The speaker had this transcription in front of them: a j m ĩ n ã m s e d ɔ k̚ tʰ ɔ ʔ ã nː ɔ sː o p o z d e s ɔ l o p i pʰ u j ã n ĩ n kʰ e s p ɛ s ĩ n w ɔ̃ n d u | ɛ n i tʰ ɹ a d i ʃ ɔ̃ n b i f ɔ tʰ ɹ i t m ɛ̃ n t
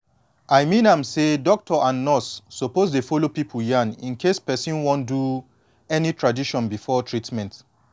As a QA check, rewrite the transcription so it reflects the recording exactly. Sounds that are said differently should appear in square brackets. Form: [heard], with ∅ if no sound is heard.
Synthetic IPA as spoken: a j m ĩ n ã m s e d ɔ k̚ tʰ ɔ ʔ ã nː ɔ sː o p o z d e [f] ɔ l o p i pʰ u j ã n ĩ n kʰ e s p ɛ s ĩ n w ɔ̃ n d u | ɛ n i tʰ ɹ a d i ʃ ɔ̃ n b i f ɔ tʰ ɹ i t m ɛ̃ n t